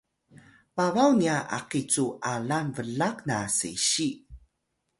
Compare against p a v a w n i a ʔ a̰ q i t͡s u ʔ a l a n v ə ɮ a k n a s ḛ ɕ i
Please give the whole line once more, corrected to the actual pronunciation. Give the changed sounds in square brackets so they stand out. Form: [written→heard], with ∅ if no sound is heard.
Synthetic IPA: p a v a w n i a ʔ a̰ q i t͡s u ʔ a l a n v ə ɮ a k n a s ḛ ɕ i